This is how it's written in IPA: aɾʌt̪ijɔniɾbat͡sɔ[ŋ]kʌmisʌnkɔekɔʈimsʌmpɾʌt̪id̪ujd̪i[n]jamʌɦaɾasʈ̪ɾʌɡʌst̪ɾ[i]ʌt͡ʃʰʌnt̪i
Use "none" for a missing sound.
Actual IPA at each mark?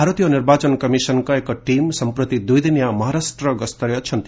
n, n, j

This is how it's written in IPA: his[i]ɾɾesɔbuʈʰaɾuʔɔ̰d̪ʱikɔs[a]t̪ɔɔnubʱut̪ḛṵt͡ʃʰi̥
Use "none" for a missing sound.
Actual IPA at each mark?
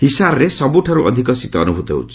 a, i

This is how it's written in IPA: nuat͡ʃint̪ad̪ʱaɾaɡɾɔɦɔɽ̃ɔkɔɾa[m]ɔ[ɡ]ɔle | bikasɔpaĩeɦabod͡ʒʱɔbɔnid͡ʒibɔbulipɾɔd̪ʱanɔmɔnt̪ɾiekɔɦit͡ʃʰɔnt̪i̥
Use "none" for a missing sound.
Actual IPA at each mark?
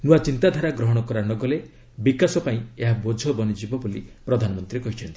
n, ɡ

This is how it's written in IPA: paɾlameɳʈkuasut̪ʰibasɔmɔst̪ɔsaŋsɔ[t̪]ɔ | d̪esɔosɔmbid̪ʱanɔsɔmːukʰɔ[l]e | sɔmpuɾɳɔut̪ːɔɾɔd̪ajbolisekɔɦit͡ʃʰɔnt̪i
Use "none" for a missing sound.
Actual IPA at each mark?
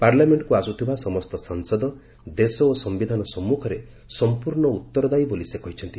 d̪, ɾ

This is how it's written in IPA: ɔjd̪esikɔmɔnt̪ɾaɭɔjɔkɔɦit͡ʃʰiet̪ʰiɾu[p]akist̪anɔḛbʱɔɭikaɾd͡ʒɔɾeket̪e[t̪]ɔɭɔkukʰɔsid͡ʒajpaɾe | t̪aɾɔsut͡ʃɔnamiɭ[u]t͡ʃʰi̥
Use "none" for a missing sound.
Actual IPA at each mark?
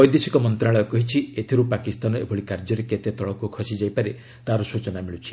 p, t̪, u

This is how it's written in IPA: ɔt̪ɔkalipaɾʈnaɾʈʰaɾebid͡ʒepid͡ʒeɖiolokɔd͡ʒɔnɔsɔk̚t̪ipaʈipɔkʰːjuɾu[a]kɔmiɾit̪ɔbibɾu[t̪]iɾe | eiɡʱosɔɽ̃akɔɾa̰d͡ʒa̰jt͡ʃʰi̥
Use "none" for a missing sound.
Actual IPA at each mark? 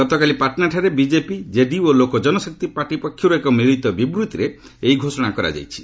e, t̪

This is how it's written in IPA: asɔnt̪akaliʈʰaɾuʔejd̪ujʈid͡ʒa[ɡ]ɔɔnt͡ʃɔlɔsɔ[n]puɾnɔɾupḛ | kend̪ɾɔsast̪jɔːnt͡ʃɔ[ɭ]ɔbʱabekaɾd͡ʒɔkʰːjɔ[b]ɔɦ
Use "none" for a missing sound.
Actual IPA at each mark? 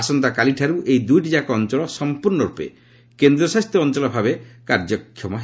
k, m, l, m

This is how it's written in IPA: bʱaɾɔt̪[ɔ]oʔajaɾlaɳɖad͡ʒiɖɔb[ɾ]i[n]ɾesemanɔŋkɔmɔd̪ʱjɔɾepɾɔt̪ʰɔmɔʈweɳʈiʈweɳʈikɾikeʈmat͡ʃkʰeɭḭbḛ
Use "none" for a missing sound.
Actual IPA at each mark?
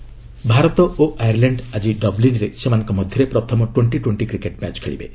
ɔ, l, n

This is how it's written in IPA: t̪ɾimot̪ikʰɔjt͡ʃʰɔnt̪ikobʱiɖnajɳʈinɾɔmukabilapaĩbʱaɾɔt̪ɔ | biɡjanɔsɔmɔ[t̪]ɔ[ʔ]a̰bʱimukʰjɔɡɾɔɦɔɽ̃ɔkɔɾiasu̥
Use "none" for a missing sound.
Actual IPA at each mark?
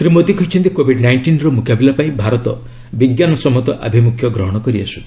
t̪, ʔ

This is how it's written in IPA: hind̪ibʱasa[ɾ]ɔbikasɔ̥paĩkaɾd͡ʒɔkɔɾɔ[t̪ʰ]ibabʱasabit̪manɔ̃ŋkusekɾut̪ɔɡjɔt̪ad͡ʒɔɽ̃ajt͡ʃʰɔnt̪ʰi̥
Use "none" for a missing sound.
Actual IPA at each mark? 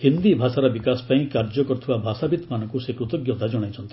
ɾ, t̪ʰ

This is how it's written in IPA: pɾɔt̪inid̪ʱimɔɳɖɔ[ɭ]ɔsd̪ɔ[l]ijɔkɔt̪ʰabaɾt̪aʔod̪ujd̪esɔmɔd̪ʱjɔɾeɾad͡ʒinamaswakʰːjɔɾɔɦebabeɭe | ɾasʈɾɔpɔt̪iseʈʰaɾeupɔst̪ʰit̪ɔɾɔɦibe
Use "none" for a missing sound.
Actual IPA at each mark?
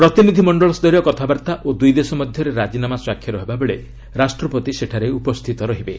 ɭ, ɾ

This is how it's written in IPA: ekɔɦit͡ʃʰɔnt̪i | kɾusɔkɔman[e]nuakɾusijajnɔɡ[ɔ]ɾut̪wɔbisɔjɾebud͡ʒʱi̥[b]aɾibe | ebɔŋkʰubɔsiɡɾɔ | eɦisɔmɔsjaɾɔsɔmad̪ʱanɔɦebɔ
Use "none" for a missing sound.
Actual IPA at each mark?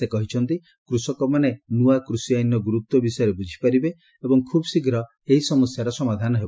e, u, p

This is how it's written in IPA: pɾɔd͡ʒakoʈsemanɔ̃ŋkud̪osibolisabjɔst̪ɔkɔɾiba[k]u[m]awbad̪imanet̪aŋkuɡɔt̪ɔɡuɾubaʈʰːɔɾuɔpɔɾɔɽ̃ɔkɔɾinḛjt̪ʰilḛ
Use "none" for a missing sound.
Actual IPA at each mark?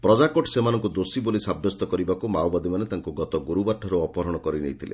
k, m

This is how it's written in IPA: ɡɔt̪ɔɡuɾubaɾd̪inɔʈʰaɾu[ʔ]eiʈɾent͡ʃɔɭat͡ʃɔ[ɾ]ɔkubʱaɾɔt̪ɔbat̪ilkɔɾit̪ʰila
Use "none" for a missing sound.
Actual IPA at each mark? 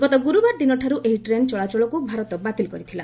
ʔ, ɭ

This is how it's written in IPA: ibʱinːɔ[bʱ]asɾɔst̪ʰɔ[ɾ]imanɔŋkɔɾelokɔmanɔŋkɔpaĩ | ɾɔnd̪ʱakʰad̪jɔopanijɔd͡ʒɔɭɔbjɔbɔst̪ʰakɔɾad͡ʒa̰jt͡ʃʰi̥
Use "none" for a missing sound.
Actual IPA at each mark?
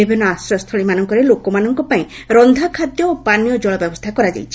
none, ɭ

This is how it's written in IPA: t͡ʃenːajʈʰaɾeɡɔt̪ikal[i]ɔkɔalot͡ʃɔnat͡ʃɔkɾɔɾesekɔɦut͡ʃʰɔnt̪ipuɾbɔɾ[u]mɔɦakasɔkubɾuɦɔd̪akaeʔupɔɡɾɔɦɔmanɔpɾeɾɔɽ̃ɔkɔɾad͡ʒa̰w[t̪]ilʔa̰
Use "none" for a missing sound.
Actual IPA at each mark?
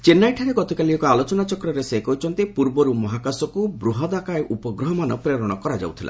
i, u, t̪ʰ

